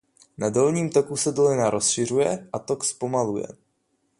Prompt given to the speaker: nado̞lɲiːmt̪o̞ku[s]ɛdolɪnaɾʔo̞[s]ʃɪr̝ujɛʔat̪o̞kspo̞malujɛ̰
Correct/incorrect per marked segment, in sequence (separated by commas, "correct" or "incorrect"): correct, correct